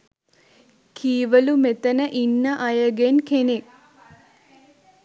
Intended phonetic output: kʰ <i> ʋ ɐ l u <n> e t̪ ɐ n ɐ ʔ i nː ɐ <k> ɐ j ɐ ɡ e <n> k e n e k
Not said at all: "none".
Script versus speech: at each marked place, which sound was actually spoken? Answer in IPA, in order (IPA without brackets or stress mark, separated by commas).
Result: iː, m, ʔ, n